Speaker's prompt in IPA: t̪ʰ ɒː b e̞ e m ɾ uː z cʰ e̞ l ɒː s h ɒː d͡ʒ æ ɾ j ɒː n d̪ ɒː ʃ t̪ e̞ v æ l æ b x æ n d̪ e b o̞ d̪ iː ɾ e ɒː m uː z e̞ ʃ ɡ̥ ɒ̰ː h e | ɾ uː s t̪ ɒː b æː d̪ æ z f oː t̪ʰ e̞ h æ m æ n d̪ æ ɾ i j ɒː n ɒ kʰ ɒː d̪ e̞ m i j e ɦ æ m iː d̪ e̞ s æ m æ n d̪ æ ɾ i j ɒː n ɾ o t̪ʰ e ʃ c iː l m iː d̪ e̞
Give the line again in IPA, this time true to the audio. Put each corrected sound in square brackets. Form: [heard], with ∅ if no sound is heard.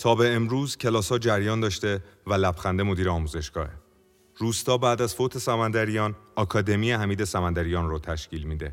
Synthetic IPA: t̪ʰ ɒː b e̞ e m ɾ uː z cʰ e̞ l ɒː s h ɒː d͡ʒ æ ɾ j ɒː n d̪ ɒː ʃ t̪ e̞ v æ l æ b x æ n d̪ e [m] o̞ d̪ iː ɾ e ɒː m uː z e̞ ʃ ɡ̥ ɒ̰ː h e | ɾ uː s t̪ ɒː b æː d̪ æ z f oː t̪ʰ e̞ [s] æ m æ n d̪ æ ɾ i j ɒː n ɒ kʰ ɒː d̪ e̞ m i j e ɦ æ m iː d̪ e̞ s æ m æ n d̪ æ ɾ i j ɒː n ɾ o t̪ʰ [æ] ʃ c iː l m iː d̪ e̞